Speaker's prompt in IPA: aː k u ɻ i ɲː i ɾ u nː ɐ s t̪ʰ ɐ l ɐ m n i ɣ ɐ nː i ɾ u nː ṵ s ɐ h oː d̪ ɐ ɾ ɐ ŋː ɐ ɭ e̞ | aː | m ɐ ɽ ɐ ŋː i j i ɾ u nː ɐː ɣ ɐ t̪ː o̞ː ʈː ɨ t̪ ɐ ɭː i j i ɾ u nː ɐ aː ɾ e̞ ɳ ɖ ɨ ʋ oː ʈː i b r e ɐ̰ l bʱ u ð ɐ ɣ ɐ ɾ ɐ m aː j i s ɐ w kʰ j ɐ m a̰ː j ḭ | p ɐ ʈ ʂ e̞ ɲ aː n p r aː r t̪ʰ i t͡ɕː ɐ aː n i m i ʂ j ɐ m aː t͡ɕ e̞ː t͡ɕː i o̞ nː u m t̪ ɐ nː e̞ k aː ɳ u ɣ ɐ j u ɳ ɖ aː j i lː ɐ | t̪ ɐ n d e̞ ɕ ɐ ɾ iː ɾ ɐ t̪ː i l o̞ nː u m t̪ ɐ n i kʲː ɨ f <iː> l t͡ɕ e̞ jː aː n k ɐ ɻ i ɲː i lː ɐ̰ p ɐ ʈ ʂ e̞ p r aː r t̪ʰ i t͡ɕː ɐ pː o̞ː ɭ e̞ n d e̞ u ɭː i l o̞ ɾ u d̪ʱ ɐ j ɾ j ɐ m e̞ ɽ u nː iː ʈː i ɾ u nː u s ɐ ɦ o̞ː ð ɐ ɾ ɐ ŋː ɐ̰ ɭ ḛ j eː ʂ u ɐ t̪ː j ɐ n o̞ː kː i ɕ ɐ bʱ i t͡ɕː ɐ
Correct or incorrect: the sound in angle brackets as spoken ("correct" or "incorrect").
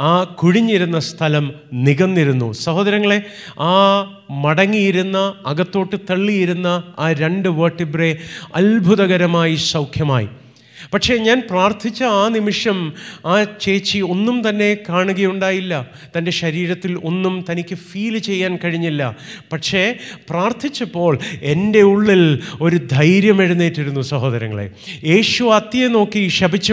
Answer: correct